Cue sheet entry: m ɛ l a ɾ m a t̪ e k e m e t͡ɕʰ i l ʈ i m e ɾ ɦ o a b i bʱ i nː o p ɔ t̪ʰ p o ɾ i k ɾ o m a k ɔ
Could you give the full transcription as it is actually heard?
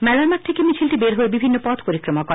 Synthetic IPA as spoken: m ɛ l a ɾ m a t̪ʰ e k e m i t͡ɕʰ i l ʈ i b e ɾ ɦ o e b i bʱ i nː o p ɔ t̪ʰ p o ɾ i k ɾ o m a k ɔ